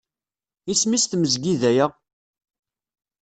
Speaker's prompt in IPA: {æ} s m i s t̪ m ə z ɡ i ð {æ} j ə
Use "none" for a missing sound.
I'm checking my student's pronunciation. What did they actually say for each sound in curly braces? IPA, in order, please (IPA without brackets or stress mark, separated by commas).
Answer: i, æ